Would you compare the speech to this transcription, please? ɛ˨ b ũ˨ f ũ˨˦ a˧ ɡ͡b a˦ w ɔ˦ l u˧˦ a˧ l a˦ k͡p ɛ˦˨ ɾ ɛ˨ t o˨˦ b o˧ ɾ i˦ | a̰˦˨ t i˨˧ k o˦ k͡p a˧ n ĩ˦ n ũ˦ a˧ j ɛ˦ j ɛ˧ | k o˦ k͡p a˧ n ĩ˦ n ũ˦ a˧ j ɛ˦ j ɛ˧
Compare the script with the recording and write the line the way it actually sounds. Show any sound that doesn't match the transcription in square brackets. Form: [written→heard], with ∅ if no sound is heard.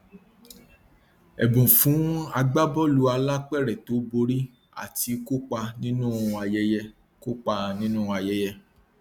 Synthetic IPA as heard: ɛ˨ b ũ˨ f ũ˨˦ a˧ ɡ͡b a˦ [w→b] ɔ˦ l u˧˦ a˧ l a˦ k͡p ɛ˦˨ ɾ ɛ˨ t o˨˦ b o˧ ɾ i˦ | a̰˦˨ t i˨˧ k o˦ k͡p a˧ n ĩ˦ n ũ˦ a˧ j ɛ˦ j ɛ˧ | k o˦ k͡p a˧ n ĩ˦ n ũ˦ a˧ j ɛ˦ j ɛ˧